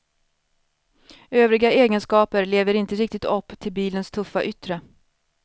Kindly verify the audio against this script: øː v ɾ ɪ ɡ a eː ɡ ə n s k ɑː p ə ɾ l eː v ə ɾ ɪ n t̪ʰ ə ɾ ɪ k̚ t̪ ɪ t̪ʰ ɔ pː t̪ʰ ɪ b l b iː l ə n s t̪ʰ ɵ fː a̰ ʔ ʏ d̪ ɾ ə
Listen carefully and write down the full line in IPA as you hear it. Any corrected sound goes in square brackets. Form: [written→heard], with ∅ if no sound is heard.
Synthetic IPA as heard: øː v ɾ ɪ ɡ a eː ɡ ə n s k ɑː p ə ɾ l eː v ə ɾ ɪ n [t̪ʰ→t̪] ə ɾ ɪ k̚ t̪ ɪ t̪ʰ ɔ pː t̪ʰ ɪ [b→∅] l b iː l ə n s t̪ʰ ɵ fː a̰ ʔ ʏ [d̪→t̪] ɾ ə

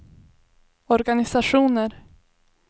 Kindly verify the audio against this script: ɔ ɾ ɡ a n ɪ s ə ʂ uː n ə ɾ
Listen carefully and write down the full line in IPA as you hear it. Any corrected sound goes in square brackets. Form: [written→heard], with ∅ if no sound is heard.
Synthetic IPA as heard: ɔ ɾ ɡ a n ɪ s [ə→a] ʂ uː n ə ɾ

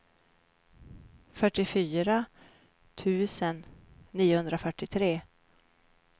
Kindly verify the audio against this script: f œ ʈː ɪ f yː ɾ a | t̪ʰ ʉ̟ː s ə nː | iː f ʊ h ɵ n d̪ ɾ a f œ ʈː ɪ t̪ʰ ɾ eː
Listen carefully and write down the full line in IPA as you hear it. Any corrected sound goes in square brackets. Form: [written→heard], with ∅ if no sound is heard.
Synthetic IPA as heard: f œ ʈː ɪ f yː ɾ a | t̪ʰ ʉ̟ː s ə nː | iː [f→∅] ʊ h ɵ n d̪ ɾ a f œ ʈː ɪ t̪ʰ ɾ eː

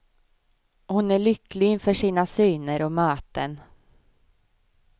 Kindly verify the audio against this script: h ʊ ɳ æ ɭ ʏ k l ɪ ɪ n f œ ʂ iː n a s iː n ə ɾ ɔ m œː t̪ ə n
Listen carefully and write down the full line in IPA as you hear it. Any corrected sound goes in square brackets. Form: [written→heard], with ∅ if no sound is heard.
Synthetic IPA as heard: h ʊ [ɳ→n] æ ɭ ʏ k l ɪ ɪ n f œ ʂ iː n a s [iː→yː] n ə ɾ ɔ m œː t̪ ə n

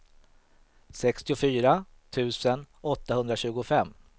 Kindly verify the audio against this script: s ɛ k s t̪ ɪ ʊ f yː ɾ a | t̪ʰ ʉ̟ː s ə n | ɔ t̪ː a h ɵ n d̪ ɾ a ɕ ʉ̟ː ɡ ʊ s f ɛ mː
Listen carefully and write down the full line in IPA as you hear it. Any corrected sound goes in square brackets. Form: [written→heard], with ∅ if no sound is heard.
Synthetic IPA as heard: s ɛ k s t̪ ɪ ʊ f yː ɾ a | t̪ʰ ʉ̟ː s ə n | ɔ t̪ː a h ɵ n d̪ ɾ a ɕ ʉ̟ː ɡ ʊ [s→∅] f ɛ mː

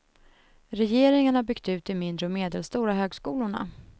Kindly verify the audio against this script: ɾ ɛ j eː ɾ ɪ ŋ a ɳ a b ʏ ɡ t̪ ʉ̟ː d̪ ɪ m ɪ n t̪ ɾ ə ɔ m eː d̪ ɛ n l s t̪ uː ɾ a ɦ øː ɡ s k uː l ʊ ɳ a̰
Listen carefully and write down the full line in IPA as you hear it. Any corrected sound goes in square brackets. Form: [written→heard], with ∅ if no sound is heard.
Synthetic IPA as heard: ɾ ɛ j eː ɾ ɪ ŋ a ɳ a b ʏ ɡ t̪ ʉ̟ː [d̪→t̪] ɪ m ɪ n [t̪→d̪] ɾ ə ɔ m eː d̪ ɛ [n→∅] l s t̪ uː ɾ a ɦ øː ɡ s k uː l ʊ ɳ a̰

